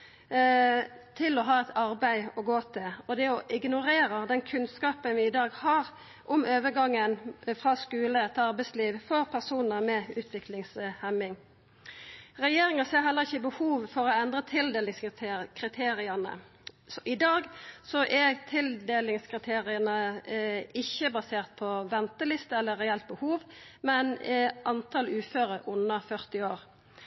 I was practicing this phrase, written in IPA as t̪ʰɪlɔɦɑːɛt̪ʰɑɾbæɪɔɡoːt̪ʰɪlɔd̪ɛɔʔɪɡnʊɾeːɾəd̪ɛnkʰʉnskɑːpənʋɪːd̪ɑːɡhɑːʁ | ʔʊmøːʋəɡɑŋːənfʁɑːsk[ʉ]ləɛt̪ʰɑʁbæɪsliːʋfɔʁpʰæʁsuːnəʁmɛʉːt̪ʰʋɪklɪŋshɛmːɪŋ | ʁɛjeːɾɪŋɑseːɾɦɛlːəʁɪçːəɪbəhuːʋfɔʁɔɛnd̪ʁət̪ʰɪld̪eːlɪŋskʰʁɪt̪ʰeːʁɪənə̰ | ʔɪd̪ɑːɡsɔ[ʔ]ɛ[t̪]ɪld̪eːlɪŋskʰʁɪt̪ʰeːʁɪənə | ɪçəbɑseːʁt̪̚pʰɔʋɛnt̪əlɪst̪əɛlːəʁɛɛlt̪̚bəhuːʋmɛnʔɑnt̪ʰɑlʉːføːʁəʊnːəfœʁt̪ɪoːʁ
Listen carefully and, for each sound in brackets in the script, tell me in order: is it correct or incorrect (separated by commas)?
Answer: incorrect, correct, incorrect